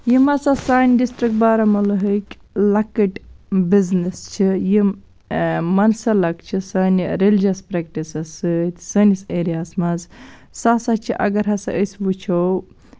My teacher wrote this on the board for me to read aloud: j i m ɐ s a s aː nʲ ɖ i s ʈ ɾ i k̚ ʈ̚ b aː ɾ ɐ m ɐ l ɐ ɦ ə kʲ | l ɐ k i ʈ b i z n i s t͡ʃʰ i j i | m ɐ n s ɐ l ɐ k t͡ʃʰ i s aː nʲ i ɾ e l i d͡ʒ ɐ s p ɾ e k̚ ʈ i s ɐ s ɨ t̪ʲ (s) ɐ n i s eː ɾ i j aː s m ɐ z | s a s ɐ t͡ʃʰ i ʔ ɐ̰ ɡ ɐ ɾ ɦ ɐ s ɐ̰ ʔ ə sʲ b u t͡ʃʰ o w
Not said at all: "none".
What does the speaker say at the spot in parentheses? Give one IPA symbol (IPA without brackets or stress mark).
s